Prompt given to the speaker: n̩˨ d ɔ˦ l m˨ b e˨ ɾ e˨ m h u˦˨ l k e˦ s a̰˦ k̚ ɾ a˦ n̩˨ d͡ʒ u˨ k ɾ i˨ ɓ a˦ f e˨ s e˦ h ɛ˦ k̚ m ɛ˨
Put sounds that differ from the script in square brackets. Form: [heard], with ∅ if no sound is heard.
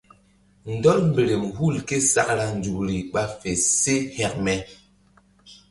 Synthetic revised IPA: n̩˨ d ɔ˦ l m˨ b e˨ ɾ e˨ m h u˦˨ l k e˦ s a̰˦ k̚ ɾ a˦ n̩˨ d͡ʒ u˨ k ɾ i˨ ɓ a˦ f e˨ s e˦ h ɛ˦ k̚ m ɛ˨